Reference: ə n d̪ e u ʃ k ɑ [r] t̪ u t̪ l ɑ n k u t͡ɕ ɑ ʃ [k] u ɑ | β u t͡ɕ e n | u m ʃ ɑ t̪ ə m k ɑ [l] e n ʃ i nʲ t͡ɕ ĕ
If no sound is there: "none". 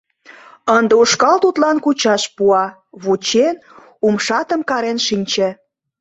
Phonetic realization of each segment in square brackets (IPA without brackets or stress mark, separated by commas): l, p, ɾ